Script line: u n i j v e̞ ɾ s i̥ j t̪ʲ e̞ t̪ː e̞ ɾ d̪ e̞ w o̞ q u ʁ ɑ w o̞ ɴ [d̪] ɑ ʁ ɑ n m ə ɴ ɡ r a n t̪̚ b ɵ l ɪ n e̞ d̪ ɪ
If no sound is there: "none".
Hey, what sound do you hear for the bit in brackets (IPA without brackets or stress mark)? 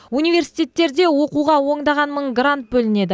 d̪